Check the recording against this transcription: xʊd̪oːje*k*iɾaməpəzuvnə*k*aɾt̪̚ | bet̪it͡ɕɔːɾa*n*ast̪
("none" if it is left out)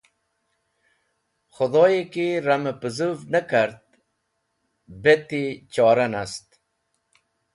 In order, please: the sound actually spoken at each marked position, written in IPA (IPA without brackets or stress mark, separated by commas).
k, k, n